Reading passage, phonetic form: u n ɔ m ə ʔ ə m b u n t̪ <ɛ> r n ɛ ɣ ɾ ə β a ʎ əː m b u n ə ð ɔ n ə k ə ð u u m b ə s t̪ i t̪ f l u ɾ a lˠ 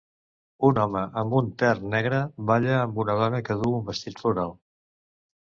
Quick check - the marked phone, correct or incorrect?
correct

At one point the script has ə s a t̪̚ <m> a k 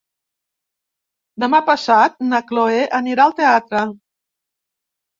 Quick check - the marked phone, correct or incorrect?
incorrect: n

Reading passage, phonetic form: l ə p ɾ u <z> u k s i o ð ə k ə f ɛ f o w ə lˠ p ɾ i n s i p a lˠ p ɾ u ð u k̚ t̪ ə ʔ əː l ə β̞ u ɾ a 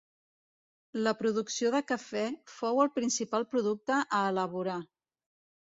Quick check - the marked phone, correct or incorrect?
incorrect: ð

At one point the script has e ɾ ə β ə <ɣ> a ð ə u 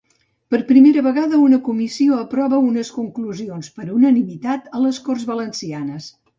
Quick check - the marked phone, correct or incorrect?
correct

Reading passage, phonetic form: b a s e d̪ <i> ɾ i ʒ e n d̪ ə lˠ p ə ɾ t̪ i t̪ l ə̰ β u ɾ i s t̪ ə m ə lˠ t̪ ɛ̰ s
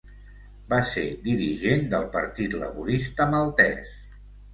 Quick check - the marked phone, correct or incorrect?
correct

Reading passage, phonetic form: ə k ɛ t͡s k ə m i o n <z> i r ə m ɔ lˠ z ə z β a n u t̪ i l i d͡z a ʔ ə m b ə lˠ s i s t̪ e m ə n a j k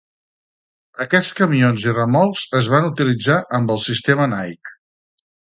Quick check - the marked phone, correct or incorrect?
correct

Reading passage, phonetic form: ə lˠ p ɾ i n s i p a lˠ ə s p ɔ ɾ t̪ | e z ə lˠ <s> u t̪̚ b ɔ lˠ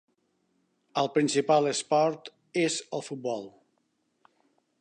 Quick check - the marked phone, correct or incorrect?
incorrect: f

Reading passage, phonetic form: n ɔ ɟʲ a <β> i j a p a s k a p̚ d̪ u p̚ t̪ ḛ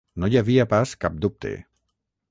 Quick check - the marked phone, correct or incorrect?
incorrect: v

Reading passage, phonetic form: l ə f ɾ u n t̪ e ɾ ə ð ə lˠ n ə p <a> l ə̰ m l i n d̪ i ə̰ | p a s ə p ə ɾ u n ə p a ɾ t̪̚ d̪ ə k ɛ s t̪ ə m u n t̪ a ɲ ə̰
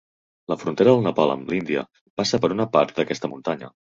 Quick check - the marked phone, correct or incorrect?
correct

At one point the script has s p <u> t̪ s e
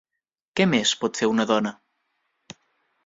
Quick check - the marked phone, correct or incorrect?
incorrect: ɔ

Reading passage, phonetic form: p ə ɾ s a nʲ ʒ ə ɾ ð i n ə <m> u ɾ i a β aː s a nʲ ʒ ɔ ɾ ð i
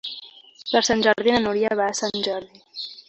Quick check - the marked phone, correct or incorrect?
incorrect: n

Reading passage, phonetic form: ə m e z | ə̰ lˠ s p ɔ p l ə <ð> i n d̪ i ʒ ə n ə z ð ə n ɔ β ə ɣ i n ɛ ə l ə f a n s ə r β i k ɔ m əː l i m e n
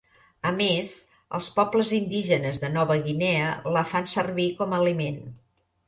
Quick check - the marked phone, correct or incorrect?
incorrect: z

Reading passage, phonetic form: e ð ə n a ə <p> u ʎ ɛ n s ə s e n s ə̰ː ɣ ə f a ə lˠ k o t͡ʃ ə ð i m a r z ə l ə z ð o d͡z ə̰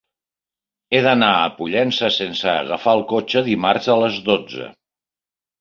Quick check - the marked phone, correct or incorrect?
correct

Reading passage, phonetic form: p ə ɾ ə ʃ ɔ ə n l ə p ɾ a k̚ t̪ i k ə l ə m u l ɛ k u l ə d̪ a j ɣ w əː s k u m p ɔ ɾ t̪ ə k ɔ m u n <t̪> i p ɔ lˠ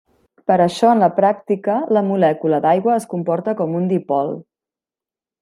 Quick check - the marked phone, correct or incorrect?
incorrect: d̪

